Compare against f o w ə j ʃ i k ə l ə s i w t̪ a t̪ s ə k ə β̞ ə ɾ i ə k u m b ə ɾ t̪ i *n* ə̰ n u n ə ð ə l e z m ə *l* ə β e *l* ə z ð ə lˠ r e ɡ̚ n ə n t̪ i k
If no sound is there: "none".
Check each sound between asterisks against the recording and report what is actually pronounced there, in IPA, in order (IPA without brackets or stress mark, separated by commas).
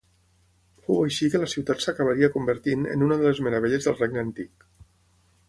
n, ɾ, ʎ